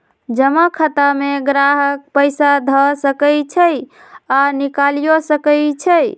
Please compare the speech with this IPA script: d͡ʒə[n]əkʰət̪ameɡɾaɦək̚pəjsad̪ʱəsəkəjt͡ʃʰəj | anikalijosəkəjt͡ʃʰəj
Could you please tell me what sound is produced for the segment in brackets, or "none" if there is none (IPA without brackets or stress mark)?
m